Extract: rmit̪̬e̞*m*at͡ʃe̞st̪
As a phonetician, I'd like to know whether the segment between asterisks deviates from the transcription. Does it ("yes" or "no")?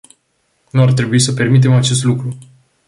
no